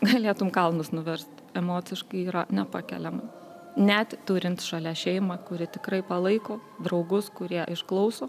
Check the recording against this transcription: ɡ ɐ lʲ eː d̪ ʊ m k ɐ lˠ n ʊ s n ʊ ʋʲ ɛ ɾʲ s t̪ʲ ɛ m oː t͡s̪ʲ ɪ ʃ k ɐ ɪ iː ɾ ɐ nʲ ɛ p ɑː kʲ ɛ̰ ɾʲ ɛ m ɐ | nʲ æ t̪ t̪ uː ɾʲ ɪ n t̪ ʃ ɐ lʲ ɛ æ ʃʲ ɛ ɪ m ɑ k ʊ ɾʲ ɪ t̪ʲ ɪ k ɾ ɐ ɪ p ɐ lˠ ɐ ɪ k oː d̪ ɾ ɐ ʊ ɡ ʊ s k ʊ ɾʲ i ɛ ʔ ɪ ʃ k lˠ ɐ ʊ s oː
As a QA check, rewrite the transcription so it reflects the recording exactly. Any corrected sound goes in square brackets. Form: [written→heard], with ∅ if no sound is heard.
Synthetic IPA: ɡ ɐ lʲ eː [d̪→t̪] ʊ m k ɐ lˠ n ʊ s n ʊ ʋʲ ɛ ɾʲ s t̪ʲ ɛ m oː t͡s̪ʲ ɪ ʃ k ɐ ɪ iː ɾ ɐ nʲ ɛ p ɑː kʲ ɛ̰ [ɾʲ→lʲ] ɛ m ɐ | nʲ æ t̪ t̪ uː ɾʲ ɪ n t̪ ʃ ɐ lʲ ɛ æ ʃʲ ɛ ɪ m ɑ k ʊ ɾʲ ɪ t̪ʲ ɪ k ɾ ɐ ɪ p ɐ lˠ ɐ ɪ k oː d̪ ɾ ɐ ʊ ɡ ʊ s k ʊ ɾʲ i ɛ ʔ ɪ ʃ k lˠ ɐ ʊ s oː

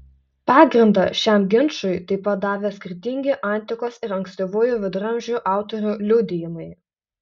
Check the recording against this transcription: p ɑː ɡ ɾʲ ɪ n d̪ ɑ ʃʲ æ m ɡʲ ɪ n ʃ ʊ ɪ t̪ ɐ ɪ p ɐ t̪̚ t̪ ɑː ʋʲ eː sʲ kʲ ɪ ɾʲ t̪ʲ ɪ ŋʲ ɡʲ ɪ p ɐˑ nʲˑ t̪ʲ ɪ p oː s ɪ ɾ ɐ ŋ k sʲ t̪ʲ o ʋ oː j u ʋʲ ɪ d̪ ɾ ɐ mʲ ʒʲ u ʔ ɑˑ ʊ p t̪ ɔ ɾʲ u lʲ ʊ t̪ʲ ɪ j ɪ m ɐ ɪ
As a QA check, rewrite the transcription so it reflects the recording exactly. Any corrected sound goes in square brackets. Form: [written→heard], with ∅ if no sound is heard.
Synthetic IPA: p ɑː ɡ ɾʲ ɪ n d̪ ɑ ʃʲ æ m ɡʲ ɪ n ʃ ʊ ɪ t̪ ɐ ɪ p ɐ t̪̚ [t̪→d̪] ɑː ʋʲ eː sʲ kʲ ɪ ɾʲ t̪ʲ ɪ ŋʲ ɡʲ ɪ [p→ʔ] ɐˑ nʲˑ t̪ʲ ɪ [p→k] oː s ɪ ɾ ɐ ŋ k sʲ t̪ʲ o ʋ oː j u ʋʲ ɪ d̪ ɾ ɐ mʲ ʒʲ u ʔ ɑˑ ʊ [p→∅] t̪ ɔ ɾʲ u lʲ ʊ [t̪ʲ→d̪ʲ] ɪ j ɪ m ɐ ɪ

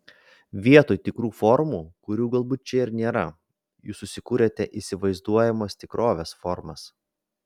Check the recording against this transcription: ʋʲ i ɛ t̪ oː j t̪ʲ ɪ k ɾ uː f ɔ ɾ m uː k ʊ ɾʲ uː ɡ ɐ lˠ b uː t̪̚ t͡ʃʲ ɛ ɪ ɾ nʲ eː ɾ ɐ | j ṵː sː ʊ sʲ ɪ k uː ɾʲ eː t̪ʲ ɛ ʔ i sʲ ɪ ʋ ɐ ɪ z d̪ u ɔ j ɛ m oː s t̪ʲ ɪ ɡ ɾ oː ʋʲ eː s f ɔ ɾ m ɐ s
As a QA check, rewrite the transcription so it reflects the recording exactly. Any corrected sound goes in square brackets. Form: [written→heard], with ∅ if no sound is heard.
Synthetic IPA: ʋʲ i ɛ t̪ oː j t̪ʲ ɪ k ɾ uː f ɔ ɾ m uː k ʊ ɾʲ uː ɡ ɐ lˠ b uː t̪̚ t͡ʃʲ ɛ ɪ ɾ nʲ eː ɾ ɐ | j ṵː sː ʊ sʲ ɪ k uː ɾʲ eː t̪ʲ ɛ ʔ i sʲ ɪ ʋ ɐ ɪ z d̪ u ɔ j ɛ m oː s t̪ʲ ɪ [ɡ→k] ɾ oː ʋʲ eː s f ɔ ɾ m ɐ s

